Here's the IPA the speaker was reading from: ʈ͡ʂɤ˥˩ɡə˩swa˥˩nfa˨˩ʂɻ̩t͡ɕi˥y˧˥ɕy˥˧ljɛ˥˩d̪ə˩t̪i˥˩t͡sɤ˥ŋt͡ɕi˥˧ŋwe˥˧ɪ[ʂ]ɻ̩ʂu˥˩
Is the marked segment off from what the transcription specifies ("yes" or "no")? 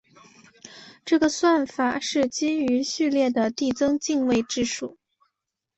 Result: yes